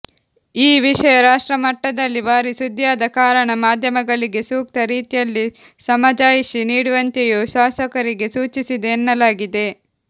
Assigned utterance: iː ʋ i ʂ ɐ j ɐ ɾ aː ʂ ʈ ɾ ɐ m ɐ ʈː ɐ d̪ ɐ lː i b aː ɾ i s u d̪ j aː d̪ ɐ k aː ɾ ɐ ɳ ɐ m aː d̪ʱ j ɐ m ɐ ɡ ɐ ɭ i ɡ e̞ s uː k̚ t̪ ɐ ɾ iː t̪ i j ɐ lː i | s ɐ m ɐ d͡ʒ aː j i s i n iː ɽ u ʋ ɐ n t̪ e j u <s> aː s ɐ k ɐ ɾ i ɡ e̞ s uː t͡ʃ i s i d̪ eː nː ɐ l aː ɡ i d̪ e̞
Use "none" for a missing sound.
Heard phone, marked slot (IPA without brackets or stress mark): ʃ